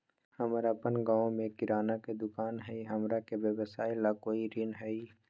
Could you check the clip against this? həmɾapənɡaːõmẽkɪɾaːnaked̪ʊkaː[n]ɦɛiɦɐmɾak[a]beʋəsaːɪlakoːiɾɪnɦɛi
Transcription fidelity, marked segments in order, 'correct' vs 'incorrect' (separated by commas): correct, incorrect